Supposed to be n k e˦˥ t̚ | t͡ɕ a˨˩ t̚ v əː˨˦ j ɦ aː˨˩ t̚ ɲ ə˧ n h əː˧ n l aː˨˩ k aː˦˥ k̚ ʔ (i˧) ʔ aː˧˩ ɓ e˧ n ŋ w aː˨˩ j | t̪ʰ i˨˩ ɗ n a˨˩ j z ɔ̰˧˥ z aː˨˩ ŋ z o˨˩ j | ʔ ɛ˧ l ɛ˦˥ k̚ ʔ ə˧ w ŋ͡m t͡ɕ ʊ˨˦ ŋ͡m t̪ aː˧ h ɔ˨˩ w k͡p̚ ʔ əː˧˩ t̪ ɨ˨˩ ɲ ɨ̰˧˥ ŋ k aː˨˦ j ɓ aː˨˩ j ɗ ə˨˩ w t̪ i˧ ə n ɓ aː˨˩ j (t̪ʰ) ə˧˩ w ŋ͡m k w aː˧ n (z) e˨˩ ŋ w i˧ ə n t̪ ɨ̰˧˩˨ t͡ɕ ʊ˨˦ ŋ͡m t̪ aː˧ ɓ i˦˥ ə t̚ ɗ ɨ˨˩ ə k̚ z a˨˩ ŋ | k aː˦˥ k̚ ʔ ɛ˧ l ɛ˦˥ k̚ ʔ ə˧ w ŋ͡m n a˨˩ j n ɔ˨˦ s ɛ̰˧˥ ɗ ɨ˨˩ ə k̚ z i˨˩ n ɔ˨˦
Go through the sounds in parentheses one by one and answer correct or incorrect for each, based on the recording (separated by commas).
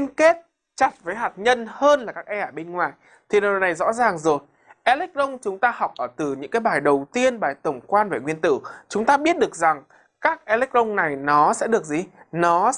incorrect, incorrect, incorrect